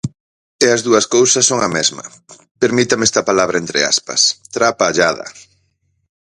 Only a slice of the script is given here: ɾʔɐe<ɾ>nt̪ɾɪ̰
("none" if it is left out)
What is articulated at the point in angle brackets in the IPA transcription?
none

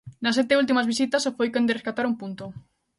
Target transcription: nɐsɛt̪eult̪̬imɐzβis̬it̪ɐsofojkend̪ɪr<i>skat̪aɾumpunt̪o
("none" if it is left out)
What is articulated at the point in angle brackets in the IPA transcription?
e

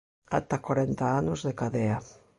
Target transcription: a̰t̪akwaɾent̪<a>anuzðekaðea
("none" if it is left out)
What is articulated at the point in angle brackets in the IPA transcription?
a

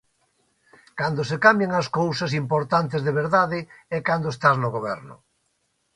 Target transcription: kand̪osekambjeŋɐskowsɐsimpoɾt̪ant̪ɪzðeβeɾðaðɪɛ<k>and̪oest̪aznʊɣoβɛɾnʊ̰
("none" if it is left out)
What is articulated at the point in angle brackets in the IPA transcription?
k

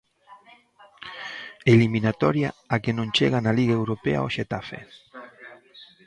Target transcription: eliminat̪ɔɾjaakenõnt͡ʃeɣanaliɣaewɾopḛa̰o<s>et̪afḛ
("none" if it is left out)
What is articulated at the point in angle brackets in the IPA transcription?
ʃ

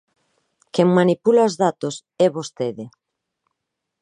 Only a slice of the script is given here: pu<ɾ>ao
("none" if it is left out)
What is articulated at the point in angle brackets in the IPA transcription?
l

